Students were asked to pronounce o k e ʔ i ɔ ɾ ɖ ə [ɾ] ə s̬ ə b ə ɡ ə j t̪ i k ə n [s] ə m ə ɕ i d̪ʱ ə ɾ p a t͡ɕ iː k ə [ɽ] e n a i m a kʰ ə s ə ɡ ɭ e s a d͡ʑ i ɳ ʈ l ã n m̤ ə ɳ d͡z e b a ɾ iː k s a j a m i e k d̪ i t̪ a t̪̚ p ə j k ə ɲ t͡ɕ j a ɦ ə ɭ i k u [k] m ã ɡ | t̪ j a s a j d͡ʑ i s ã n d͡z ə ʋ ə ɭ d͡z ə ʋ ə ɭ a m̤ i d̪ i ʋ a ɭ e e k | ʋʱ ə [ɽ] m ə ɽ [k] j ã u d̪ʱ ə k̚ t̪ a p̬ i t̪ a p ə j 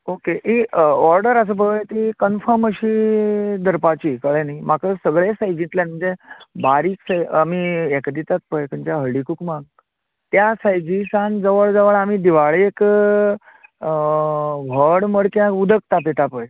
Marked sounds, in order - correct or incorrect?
correct, incorrect: f, incorrect: ɭ, correct, correct, correct

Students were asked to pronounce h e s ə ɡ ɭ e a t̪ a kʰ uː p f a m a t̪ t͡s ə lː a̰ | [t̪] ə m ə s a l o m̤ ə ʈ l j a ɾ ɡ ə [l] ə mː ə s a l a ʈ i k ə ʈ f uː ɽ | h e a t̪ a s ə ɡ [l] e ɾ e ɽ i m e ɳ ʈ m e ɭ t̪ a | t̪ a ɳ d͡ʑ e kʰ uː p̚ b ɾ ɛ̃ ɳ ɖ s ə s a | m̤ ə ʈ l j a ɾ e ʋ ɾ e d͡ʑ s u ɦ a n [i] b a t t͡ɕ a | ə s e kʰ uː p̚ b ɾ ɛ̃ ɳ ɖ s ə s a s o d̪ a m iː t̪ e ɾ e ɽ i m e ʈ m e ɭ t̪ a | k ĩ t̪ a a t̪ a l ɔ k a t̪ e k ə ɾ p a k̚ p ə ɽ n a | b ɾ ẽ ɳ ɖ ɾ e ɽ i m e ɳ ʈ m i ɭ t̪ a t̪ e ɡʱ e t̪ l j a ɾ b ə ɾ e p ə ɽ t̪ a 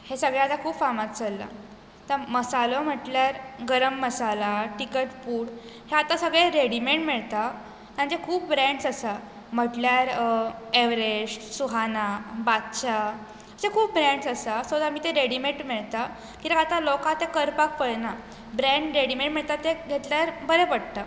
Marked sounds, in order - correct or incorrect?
correct, incorrect: ɾ, incorrect: ɭ, incorrect: a

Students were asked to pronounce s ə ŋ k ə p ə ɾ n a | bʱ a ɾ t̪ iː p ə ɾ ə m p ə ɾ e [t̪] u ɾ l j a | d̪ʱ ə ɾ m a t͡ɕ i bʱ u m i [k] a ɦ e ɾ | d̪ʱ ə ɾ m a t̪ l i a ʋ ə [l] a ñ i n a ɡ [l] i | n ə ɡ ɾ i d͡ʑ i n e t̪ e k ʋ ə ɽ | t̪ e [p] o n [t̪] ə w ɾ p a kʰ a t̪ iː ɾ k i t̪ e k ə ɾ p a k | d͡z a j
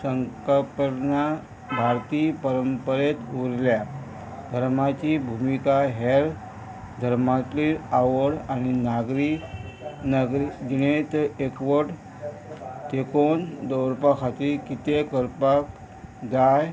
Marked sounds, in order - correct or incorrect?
correct, correct, incorrect: ɽ, incorrect: ɾ, incorrect: k, incorrect: d̪

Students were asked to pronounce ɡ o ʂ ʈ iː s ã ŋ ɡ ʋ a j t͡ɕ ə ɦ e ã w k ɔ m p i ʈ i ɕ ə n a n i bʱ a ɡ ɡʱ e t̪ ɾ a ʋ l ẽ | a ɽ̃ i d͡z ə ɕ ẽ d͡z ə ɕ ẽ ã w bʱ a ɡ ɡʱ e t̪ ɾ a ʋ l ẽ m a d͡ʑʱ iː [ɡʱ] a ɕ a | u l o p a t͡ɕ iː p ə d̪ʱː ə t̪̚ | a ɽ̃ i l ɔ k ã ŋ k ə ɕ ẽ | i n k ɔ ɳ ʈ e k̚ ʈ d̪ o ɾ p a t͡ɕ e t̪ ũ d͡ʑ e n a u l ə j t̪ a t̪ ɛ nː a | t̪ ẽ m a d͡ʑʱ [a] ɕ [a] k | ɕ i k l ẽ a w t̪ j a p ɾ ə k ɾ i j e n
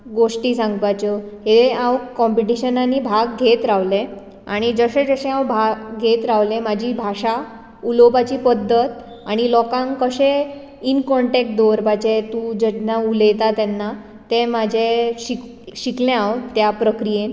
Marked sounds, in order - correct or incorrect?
incorrect: bʱ, incorrect: e, incorrect: i

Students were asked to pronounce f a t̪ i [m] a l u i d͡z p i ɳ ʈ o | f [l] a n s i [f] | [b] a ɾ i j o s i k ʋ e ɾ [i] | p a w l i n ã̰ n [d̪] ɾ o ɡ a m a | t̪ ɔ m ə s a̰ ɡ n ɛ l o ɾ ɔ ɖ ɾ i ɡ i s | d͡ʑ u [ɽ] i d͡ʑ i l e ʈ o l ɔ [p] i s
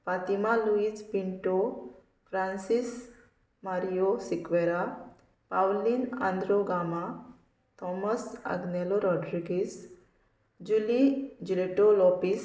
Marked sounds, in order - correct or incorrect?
correct, incorrect: ɾ, incorrect: s, incorrect: m, incorrect: a, correct, incorrect: l, correct

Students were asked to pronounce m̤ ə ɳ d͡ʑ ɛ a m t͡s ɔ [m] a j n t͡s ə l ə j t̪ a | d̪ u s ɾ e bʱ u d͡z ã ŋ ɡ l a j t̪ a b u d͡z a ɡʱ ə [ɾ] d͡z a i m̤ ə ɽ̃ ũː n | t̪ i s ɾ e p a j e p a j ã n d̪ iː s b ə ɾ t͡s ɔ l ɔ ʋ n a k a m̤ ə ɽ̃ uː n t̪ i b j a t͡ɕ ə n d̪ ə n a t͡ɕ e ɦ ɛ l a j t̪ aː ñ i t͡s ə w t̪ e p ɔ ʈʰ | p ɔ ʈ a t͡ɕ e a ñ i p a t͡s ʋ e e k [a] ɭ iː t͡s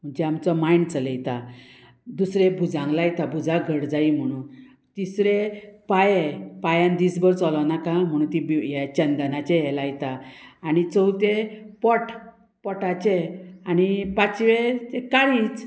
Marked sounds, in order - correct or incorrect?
correct, incorrect: ɽ, correct

